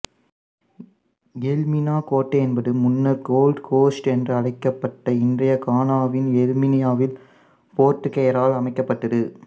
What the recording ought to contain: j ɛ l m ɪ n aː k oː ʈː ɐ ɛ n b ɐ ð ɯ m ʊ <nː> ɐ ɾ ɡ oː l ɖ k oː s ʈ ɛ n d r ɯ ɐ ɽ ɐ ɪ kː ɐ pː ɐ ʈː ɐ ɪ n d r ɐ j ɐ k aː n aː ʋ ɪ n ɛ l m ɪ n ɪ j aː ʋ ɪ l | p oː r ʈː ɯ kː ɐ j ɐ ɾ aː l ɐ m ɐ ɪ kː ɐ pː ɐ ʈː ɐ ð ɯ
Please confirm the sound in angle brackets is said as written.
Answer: yes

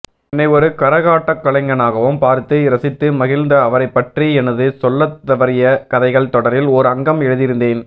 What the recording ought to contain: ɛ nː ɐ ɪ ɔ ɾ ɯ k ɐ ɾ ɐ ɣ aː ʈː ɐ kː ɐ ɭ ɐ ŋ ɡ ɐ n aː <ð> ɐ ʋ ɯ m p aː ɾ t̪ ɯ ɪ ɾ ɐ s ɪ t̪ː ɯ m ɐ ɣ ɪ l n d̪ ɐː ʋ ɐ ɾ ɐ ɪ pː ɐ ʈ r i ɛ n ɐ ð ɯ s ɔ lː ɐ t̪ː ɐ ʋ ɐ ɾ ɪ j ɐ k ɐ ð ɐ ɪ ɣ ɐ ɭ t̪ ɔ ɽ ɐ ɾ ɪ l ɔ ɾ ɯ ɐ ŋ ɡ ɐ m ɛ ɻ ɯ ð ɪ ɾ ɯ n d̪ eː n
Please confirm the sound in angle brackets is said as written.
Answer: no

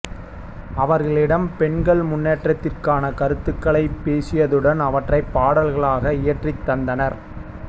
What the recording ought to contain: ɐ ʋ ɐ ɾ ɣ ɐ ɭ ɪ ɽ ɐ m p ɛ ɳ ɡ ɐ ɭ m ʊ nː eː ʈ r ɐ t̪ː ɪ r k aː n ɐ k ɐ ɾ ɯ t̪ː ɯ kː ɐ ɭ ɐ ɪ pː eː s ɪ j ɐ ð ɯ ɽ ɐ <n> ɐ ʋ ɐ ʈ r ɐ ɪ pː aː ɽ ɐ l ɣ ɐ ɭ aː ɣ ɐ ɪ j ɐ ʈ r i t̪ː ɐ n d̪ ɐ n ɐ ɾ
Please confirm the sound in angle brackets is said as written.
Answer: yes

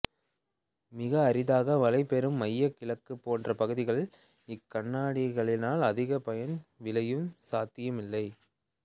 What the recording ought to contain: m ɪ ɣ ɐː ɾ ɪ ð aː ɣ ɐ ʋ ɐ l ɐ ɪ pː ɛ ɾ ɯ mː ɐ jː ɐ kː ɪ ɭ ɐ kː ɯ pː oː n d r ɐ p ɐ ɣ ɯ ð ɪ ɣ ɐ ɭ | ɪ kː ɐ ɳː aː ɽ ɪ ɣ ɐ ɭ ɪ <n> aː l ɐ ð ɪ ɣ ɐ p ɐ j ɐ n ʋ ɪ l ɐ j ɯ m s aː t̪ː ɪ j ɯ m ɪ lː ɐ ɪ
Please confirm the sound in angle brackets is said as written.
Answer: yes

